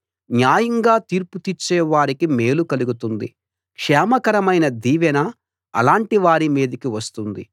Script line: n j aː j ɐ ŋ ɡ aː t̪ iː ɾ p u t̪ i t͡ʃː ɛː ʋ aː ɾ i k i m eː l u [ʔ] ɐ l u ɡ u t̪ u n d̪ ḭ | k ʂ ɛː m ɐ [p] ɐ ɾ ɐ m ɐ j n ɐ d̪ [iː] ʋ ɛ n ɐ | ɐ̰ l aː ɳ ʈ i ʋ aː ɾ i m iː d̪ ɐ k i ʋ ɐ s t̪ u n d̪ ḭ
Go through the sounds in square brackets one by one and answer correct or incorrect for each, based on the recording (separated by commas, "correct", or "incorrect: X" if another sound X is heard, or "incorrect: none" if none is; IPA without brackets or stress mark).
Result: incorrect: k, incorrect: k, correct